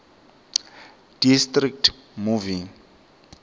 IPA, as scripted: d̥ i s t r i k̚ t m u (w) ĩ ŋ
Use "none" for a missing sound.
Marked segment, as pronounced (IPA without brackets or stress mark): v